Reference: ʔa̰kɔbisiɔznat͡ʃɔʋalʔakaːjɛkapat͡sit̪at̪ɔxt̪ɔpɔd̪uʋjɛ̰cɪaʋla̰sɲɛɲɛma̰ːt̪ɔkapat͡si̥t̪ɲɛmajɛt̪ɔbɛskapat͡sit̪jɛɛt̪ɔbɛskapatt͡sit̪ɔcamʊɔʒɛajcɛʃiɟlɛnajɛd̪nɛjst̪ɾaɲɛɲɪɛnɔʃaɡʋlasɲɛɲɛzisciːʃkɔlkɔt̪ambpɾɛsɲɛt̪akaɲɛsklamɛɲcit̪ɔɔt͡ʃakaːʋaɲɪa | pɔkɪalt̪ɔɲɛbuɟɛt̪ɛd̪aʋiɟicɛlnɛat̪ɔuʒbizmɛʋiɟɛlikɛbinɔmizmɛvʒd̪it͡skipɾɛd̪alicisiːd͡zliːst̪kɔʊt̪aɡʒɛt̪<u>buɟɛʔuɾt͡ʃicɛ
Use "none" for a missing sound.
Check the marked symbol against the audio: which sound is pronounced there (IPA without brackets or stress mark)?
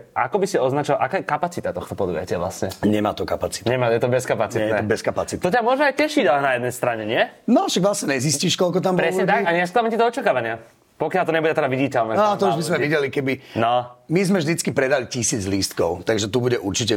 u